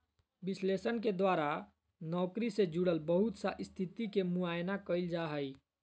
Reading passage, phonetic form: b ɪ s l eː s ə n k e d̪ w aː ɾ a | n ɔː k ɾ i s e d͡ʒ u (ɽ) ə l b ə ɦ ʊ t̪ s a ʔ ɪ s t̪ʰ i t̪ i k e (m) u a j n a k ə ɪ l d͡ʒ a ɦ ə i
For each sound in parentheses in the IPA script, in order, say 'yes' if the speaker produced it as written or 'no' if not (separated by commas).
yes, yes